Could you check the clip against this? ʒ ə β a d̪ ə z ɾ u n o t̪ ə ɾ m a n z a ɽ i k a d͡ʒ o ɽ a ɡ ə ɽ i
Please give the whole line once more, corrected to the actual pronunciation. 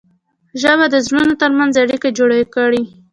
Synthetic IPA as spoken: ʒ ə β a d̪ ə z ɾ u n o t̪ ə ɾ m a n z a ɽ i k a d͡ʒ o ɽ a k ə ɽ i